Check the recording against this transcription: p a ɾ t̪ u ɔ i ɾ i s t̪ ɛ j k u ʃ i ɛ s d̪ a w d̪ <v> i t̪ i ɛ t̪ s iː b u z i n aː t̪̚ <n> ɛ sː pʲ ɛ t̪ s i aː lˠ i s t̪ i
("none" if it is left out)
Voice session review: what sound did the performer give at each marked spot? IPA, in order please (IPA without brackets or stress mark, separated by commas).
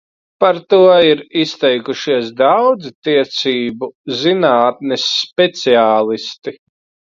z, n